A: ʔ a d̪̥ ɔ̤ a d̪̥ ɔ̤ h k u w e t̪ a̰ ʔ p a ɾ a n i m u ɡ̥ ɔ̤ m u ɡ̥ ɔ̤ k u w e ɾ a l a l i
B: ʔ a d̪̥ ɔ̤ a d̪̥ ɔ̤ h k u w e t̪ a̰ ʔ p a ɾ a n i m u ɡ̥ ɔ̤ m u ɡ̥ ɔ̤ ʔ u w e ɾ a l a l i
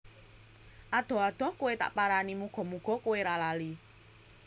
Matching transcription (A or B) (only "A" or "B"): A